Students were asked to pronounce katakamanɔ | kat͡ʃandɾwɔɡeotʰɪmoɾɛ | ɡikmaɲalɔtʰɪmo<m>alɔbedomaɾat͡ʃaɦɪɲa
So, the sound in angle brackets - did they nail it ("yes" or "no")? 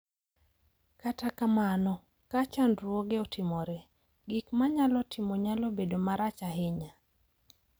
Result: no